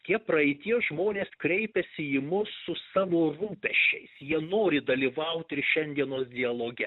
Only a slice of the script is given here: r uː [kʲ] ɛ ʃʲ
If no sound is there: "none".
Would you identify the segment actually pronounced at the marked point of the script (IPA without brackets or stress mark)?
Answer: pʲ